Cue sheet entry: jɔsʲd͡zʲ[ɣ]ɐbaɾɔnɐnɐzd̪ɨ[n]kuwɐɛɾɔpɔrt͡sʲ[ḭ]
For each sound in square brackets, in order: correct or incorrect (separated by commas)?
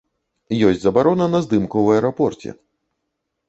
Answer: incorrect, incorrect, incorrect